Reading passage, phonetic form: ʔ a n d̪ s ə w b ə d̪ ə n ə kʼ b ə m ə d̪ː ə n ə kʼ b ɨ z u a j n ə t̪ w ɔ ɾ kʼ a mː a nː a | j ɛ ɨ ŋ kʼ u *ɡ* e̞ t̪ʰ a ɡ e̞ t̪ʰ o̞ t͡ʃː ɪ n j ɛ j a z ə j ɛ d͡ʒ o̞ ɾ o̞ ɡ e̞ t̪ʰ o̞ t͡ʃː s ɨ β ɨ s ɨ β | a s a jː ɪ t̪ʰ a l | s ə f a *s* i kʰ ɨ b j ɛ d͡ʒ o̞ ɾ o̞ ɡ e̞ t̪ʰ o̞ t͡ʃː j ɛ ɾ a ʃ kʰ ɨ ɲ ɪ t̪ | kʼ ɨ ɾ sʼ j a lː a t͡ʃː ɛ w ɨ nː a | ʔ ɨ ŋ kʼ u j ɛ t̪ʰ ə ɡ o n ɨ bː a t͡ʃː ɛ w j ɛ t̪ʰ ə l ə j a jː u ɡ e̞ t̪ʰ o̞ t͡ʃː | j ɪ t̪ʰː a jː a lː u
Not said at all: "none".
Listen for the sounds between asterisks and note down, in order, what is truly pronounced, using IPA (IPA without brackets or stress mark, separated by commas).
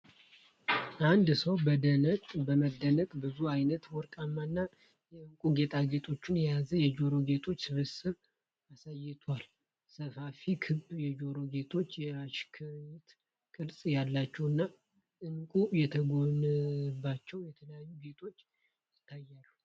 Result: ɡ, f